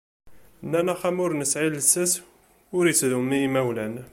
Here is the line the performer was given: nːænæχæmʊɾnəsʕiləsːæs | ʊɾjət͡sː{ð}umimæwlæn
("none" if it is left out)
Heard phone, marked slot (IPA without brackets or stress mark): ð